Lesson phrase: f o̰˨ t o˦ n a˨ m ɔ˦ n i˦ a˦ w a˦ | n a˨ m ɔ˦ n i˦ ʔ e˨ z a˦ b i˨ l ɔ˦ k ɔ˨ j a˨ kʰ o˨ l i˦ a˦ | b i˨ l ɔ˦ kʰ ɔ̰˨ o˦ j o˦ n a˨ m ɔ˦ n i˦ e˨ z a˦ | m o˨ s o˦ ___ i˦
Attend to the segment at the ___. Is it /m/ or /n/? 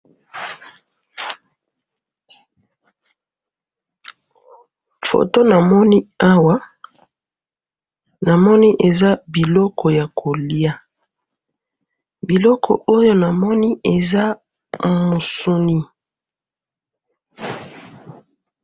n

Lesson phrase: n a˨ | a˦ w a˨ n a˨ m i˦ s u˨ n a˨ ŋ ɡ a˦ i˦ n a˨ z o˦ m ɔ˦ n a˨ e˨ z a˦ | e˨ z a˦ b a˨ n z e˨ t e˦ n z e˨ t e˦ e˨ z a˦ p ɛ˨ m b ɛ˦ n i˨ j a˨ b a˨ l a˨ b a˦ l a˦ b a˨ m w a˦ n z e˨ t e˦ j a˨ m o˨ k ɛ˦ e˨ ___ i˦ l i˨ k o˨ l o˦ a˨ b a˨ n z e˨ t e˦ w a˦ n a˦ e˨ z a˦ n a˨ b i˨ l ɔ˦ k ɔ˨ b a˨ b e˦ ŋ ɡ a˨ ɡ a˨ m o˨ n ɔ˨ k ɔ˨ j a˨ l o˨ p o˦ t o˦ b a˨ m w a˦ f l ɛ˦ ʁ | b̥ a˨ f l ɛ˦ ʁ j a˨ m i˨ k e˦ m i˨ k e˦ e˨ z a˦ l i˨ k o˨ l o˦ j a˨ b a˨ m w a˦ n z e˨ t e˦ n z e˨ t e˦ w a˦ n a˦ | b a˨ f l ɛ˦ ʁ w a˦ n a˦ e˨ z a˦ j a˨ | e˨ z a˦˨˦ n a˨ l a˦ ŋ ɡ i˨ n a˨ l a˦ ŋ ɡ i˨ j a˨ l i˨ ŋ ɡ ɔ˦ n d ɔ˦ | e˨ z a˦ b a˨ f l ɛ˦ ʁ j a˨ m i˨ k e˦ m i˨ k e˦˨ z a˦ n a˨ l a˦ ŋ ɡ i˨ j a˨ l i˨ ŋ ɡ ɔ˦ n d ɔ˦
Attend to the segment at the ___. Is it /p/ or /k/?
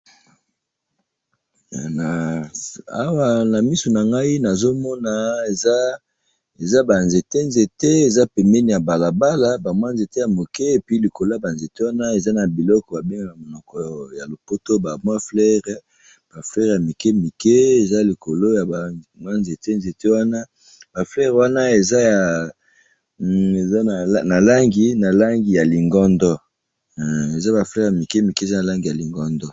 p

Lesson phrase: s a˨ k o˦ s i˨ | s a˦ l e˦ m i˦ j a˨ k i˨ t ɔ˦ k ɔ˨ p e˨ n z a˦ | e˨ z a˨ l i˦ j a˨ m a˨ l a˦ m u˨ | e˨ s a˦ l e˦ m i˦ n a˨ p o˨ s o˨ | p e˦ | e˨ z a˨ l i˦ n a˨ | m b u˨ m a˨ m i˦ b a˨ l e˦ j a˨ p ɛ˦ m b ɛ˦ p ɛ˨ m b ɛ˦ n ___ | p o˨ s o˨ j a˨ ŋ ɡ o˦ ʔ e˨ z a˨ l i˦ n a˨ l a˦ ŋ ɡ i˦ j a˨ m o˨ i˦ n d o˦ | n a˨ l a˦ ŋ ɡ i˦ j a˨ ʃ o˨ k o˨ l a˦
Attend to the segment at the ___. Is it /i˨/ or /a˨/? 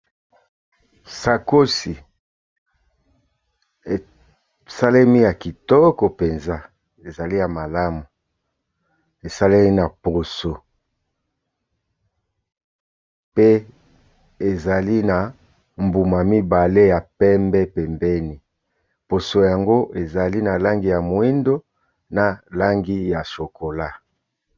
i˨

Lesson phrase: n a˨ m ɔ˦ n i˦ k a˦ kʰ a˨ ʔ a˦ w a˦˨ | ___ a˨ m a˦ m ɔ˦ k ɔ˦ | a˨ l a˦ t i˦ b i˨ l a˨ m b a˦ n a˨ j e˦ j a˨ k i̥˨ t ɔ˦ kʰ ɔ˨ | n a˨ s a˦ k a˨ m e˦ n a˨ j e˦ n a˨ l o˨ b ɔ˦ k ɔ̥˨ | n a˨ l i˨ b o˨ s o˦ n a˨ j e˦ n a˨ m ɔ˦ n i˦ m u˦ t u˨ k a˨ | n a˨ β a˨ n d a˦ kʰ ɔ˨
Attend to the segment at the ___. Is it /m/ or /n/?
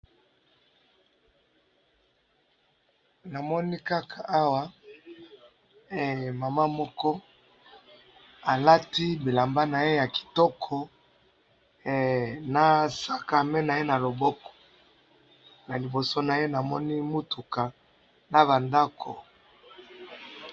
m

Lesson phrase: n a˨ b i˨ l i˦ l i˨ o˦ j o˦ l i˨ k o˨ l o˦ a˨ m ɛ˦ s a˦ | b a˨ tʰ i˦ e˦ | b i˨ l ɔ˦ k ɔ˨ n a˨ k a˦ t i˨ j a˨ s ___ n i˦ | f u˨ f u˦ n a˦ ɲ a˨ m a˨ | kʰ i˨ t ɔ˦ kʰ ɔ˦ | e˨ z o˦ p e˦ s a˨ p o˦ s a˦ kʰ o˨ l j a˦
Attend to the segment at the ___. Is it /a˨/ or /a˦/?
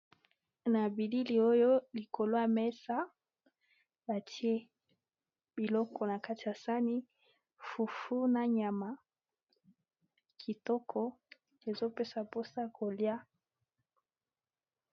a˦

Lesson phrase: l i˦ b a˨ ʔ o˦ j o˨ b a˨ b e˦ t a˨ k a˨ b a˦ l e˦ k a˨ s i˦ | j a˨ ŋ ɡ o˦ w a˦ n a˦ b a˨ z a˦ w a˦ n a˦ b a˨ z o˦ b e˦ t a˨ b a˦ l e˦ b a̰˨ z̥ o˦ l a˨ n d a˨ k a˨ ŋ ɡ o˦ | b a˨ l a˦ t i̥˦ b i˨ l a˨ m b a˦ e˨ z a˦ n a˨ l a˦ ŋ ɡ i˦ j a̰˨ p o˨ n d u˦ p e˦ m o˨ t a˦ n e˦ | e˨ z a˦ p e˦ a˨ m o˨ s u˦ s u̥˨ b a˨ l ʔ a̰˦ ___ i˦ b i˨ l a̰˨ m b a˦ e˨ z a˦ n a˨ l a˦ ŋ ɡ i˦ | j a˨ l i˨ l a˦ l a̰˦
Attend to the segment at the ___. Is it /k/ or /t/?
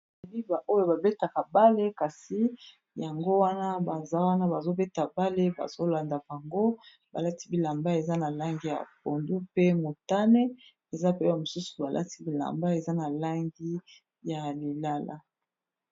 t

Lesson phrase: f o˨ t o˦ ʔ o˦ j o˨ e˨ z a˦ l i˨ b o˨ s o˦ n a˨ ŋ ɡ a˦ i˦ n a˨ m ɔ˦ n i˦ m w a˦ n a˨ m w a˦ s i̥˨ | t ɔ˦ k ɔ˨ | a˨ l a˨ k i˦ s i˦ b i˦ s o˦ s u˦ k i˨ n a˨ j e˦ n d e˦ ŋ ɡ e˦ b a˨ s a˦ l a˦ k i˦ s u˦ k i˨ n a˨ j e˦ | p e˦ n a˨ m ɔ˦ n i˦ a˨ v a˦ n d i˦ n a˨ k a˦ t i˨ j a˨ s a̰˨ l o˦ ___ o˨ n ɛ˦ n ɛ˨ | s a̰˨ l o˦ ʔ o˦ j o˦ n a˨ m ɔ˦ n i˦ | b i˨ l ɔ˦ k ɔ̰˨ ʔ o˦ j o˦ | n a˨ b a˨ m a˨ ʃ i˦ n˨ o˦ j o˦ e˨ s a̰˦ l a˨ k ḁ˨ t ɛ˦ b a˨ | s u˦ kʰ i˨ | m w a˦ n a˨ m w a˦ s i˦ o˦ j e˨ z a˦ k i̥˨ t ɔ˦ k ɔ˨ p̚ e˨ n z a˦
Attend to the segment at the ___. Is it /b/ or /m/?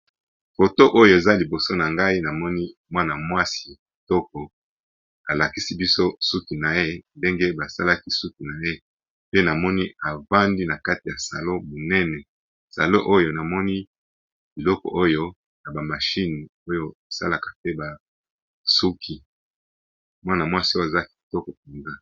m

